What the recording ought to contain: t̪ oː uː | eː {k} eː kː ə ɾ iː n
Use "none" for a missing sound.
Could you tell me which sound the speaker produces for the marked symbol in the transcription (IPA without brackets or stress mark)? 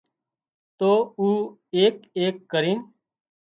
k